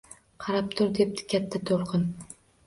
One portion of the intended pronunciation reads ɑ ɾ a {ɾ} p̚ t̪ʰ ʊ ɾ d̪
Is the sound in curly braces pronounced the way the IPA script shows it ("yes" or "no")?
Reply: no